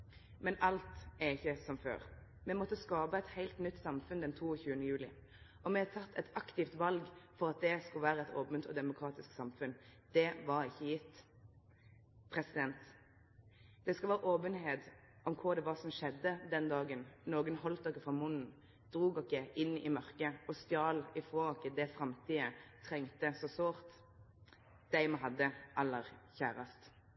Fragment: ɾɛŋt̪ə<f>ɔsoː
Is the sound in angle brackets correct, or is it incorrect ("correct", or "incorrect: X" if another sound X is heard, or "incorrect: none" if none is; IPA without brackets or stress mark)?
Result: incorrect: s